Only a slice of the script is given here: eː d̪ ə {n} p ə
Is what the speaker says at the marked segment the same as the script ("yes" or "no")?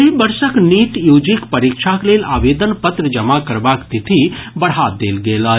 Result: yes